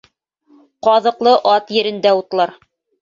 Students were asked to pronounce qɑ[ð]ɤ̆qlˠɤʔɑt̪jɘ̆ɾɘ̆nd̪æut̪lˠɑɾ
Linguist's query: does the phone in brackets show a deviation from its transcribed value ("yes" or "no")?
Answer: no